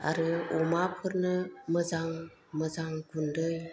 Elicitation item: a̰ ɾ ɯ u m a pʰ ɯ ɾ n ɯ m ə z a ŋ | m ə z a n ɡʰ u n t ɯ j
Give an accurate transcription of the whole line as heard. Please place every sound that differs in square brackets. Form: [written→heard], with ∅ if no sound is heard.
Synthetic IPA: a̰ ɾ ɯ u m a pʰ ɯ ɾ n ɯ m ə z a ŋ | m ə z a [n→ŋ] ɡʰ u n [t→d] ɯ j